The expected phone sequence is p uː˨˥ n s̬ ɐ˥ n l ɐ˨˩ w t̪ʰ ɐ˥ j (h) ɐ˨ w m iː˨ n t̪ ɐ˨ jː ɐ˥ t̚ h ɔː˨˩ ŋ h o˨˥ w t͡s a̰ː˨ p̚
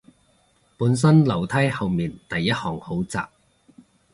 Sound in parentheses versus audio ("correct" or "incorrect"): correct